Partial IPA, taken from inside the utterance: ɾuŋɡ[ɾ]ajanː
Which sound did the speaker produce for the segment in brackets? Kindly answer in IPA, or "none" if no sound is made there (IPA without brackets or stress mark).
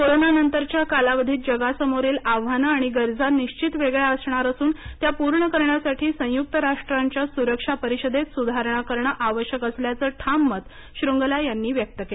l